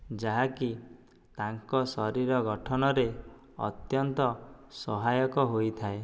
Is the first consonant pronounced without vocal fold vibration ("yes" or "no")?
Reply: no